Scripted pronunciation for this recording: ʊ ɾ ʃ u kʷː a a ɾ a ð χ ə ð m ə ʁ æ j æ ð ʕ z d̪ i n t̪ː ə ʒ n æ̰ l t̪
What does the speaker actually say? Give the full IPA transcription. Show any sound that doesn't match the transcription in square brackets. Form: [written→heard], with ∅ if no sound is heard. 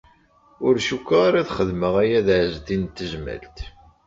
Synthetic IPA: ʊ ɾ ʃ u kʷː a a ɾ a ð χ ə ð m ə ʁ æ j æ ð ʕ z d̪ i n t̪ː ə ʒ [n→m] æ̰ l t̪